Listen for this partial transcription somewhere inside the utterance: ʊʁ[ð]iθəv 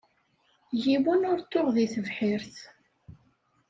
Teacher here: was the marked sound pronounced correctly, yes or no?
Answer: yes